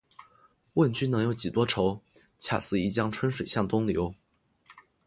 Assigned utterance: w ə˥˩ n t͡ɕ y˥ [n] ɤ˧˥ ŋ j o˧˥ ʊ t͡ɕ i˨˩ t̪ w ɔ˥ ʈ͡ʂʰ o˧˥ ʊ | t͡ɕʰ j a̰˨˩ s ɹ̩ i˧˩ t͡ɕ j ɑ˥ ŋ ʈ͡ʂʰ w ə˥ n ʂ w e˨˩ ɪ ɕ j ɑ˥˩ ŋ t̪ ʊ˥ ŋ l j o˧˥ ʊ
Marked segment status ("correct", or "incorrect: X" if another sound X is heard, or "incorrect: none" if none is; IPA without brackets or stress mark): correct